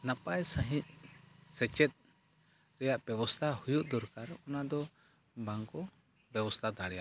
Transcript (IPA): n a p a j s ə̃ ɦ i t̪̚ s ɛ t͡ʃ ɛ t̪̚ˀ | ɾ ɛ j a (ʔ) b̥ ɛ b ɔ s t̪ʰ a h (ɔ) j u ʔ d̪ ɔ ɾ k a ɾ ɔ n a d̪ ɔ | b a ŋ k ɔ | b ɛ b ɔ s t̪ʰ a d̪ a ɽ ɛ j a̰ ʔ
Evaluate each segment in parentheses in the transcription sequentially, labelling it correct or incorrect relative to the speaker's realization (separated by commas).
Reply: correct, incorrect